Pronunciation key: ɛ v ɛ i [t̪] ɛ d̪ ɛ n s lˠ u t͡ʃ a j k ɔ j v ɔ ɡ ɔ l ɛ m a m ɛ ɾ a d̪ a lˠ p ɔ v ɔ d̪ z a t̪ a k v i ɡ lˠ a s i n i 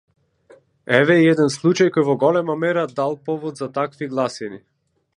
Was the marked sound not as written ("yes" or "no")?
yes